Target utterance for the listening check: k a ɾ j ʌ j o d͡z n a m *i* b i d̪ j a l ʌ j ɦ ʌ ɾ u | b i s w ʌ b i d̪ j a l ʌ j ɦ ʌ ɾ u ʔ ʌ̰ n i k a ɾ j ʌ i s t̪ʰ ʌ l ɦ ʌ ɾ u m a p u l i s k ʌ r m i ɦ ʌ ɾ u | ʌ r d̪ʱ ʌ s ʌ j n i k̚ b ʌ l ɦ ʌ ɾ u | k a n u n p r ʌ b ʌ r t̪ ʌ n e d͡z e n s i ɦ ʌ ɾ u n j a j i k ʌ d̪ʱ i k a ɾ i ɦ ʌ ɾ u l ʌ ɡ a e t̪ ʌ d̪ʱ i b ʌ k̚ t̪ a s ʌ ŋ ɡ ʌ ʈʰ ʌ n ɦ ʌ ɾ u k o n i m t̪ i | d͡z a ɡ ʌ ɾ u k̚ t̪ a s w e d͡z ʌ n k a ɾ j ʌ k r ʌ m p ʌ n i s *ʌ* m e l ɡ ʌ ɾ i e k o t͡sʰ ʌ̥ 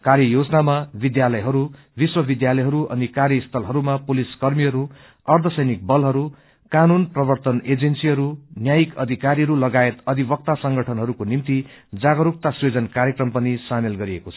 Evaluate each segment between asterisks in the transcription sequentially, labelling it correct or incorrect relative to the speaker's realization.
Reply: incorrect: a, incorrect: a

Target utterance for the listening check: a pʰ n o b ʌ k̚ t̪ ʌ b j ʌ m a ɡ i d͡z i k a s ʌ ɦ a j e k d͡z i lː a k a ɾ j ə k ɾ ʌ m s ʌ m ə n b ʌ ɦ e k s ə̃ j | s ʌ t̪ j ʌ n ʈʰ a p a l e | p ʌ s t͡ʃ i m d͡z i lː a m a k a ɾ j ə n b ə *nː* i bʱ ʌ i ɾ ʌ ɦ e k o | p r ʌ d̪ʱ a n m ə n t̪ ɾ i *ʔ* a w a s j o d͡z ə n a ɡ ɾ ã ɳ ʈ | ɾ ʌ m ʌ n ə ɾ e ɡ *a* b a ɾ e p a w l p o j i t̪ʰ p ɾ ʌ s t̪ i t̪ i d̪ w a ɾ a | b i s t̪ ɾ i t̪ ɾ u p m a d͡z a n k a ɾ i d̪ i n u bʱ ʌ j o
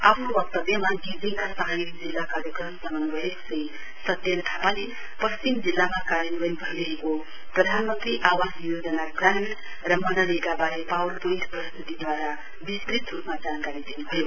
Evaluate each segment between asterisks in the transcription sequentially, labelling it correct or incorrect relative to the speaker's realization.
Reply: incorrect: n, correct, correct

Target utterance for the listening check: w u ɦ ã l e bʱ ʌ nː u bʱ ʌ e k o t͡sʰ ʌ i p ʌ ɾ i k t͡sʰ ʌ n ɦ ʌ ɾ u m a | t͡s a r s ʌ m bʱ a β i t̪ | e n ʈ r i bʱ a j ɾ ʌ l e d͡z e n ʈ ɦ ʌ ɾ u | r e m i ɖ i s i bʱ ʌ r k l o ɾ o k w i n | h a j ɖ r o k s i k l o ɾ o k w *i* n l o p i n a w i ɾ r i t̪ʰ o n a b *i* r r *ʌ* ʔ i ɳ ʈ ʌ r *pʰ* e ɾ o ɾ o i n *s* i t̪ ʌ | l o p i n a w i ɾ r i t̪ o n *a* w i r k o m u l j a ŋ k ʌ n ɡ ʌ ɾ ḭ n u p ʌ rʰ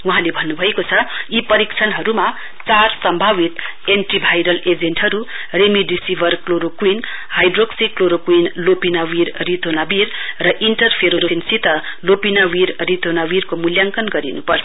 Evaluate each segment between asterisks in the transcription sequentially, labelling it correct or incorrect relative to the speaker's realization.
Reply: correct, correct, correct, correct, correct, correct

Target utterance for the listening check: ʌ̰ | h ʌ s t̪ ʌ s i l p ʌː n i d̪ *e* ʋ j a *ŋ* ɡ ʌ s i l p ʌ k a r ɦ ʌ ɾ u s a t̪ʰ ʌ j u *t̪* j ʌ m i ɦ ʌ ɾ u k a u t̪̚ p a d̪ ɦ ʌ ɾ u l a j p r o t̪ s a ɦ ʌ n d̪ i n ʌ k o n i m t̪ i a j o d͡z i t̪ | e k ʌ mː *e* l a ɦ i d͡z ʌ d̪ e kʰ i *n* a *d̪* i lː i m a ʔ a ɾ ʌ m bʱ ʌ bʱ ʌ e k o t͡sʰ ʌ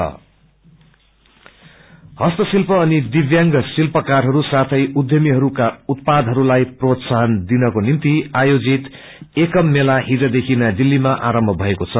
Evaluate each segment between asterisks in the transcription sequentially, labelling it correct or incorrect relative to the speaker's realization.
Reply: incorrect: i, correct, incorrect: d̪, correct, correct, correct

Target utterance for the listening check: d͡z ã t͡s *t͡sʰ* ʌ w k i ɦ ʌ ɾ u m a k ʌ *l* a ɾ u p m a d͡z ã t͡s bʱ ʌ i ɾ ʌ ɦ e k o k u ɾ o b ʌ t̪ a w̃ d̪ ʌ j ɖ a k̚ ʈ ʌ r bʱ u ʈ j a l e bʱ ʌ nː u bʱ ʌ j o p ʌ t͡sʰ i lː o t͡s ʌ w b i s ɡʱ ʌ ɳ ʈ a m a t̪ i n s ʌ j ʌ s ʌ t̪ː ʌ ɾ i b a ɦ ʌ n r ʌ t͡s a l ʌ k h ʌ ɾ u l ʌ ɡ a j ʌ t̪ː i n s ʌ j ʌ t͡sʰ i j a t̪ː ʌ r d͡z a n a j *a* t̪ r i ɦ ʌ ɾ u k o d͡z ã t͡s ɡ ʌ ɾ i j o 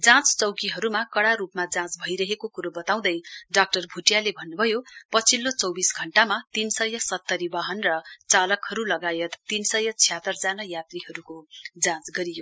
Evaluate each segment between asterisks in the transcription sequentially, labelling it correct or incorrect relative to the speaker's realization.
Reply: incorrect: t͡s, incorrect: ɽ, correct

